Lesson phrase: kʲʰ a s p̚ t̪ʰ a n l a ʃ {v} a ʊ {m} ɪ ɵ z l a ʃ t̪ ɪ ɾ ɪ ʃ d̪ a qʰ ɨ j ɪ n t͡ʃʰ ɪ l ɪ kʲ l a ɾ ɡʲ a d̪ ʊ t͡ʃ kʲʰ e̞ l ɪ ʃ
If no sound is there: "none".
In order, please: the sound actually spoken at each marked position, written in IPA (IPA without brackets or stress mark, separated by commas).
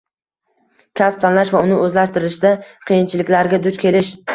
v, n